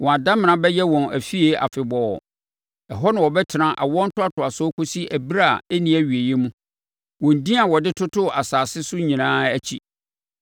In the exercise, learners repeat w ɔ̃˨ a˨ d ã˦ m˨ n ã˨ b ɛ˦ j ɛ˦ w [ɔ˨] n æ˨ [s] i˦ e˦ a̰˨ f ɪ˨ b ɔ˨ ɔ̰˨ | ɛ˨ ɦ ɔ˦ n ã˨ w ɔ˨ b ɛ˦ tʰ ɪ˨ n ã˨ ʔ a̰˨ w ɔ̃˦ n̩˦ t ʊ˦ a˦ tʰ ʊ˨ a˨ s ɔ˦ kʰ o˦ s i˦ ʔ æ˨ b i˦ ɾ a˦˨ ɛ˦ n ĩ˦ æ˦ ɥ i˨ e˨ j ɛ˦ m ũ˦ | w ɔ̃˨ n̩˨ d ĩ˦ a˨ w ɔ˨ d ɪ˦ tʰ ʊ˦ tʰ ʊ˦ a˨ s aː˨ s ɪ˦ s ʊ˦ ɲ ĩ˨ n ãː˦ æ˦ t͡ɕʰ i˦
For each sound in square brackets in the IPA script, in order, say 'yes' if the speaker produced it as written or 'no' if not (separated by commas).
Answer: no, no